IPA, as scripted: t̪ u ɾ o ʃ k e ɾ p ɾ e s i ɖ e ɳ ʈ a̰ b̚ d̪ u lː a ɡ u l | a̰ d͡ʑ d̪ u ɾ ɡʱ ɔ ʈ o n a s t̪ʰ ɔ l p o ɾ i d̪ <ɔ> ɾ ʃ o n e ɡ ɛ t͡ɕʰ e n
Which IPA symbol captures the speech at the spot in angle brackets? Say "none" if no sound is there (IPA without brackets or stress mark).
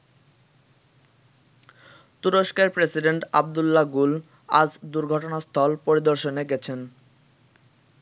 o